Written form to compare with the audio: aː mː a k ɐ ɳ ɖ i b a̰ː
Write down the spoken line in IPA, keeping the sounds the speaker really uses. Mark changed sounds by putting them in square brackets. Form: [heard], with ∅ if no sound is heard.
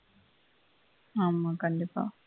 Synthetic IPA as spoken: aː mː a k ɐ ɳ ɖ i [p] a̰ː